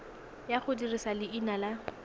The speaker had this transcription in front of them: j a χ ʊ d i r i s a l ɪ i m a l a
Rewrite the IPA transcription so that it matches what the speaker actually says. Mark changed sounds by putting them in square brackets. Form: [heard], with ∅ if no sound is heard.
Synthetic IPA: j a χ ʊ d i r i s a l ɪ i [n] a l a